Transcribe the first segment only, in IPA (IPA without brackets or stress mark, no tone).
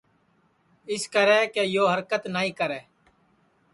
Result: ɪ